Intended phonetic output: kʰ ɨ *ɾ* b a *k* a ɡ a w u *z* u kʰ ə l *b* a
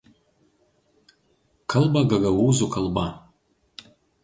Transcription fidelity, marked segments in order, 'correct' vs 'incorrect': incorrect: l, incorrect: ɡ, correct, correct

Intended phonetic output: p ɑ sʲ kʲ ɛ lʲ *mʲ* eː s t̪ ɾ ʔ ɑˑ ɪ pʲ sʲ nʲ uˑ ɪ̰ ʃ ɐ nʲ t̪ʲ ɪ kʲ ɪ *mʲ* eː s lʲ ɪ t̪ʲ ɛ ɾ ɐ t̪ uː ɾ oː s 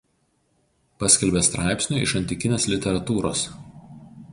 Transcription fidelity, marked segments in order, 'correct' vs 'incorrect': incorrect: bʲ, incorrect: nʲ

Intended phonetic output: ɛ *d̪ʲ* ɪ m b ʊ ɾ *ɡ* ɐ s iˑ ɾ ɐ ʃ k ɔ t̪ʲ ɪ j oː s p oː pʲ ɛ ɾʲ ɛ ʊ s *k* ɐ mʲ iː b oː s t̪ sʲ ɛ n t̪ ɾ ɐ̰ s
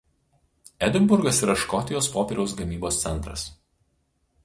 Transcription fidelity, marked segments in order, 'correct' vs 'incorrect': correct, correct, incorrect: ɡ

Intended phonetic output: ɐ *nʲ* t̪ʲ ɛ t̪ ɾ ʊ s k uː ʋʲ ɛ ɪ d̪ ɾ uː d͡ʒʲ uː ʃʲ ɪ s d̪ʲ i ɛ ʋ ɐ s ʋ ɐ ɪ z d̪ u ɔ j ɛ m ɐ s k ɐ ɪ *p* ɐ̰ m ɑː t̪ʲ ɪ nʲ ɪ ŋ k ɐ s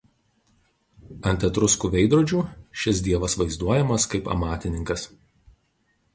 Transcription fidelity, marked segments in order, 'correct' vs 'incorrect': correct, correct

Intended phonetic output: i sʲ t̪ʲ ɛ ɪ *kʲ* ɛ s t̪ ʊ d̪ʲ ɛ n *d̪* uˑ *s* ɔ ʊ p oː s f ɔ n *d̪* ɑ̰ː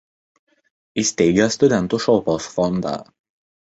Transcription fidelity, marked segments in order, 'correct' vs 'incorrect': incorrect: ɡʲ, incorrect: t̪, incorrect: ʃ, correct

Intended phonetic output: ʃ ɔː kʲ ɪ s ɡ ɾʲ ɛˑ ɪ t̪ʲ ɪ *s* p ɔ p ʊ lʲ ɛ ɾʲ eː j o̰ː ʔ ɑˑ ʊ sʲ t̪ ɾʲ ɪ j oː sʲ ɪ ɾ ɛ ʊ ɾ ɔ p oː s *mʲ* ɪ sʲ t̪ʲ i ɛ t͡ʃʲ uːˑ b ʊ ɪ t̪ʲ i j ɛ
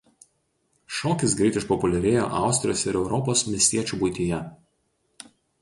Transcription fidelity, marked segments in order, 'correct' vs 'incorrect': incorrect: ʃ, correct

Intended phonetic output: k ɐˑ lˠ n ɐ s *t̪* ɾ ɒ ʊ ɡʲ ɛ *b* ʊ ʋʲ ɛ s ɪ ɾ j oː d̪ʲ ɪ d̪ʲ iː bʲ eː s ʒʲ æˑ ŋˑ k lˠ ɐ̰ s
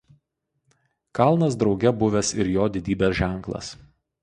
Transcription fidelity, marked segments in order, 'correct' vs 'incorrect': incorrect: d̪, correct

